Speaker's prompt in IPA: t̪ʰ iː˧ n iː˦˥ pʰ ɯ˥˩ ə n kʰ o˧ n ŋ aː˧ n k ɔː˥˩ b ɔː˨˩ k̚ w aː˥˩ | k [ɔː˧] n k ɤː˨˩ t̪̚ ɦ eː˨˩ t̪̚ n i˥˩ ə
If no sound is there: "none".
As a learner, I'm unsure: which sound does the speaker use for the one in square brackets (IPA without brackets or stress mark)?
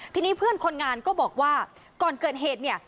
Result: ɔː˨˩